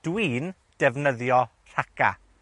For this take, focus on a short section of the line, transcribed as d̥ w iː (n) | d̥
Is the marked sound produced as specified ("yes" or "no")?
yes